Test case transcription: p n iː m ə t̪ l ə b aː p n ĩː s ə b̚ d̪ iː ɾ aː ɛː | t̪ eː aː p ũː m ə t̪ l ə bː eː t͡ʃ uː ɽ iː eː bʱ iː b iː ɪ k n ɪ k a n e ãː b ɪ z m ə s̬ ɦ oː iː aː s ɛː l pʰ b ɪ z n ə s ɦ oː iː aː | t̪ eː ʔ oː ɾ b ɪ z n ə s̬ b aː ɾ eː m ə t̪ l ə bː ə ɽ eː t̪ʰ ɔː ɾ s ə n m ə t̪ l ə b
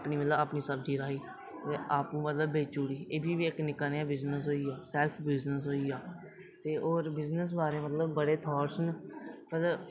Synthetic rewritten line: p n iː m ə t̪ l ə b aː p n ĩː s ə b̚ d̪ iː ɾ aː iː | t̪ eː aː p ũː m ə t̪ l ə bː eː t͡ʃ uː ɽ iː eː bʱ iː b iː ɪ k n ɪ k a n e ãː b ɪ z n ə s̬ ɦ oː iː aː s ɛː l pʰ b ɪ z n ə s ɦ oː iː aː | t̪ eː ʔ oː ɾ b ɪ z n ə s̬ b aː ɾ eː m ə t̪ l ə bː ə ɽ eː t̪ʰ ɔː ɾ s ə n m ə t̪ l ə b